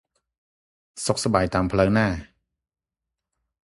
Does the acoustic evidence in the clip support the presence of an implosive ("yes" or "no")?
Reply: no